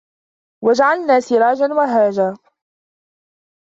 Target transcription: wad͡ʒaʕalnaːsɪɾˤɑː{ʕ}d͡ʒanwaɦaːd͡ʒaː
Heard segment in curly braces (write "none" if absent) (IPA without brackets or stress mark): none